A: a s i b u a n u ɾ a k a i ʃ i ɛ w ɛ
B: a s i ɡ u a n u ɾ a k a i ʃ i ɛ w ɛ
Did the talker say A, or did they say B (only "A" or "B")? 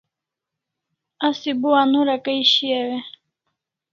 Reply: A